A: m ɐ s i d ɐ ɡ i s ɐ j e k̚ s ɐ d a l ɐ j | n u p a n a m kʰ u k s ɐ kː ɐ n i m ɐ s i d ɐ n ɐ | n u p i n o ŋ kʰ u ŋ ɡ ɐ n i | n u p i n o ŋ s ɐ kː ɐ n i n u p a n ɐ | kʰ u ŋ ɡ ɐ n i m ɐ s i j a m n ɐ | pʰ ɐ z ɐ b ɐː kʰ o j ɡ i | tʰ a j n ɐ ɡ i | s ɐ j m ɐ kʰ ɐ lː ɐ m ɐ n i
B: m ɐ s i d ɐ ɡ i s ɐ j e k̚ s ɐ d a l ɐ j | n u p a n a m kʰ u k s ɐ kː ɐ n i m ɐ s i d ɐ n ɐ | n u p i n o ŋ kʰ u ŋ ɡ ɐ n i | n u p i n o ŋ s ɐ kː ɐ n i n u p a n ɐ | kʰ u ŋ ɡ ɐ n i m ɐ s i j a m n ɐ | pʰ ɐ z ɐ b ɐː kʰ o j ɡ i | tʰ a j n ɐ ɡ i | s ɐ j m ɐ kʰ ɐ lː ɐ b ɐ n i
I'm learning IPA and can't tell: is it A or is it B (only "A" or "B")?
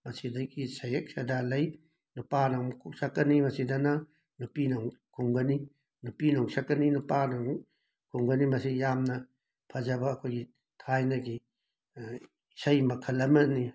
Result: A